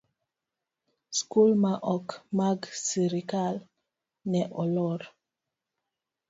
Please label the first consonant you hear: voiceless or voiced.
voiceless